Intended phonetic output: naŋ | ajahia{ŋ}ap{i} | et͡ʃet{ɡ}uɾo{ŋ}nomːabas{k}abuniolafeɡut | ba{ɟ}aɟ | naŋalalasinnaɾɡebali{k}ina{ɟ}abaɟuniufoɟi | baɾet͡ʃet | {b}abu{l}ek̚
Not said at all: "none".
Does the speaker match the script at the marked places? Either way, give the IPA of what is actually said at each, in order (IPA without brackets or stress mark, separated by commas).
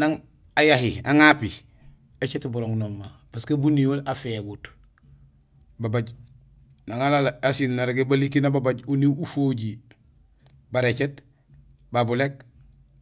ŋ, i, b, ŋ, k, b, k, b, b, l